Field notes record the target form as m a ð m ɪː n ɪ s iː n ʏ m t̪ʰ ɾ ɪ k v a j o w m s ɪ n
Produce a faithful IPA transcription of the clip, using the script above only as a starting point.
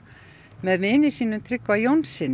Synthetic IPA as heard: m ɛ ð m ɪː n ɪ s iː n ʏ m t̪ʰ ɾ ɪ k v a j o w n s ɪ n